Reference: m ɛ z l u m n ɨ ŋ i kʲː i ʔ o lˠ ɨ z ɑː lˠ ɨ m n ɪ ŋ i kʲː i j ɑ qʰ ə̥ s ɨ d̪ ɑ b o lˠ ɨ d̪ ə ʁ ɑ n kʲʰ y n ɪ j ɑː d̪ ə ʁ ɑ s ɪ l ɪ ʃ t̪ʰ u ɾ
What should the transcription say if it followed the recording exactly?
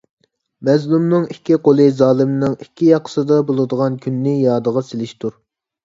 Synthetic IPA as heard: m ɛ z l u m n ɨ ŋ i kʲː i q o lˠ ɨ z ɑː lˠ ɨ m n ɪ ŋ i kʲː i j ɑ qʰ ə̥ s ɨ d̪ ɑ b o lˠ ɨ d̪ ə ʁ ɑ n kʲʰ y nː ɪ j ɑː d̪ ə ʁ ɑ s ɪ l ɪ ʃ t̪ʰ u ɾ